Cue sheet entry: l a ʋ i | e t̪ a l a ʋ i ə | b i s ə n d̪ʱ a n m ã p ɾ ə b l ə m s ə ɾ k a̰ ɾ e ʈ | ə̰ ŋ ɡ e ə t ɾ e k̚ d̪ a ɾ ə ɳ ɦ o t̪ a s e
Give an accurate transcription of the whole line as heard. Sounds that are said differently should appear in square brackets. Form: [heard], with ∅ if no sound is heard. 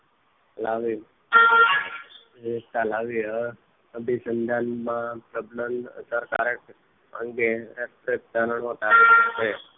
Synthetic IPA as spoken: l a ʋ i | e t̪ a l a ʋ i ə | b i s ə n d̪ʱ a n m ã p ɾ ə b l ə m s ə ɾ k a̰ ɾ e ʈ | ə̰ ŋ ɡ e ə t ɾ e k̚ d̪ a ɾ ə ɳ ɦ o t̪ a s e